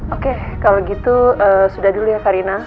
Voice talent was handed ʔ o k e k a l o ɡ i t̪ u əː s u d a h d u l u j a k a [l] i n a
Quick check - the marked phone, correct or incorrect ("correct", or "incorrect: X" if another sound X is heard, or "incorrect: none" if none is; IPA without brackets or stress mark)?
incorrect: ɾ